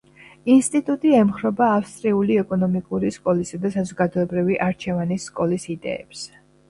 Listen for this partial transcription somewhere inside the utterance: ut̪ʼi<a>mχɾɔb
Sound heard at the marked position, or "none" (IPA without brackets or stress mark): ɛ